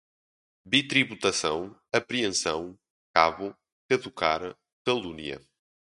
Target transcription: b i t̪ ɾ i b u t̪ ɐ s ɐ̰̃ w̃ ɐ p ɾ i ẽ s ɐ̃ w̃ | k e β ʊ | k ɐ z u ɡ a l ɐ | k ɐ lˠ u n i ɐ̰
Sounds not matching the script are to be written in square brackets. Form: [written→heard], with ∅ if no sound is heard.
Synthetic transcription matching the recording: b i t̪ ɾ i [b→β] u t̪ ɐ s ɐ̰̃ w̃ ɐ p ɾ i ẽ s ɐ̃ w̃ | k [e→a] β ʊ | k ɐ [z→ð] u [ɡ→k] a [l→ɾ] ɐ | k ɐ lˠ u n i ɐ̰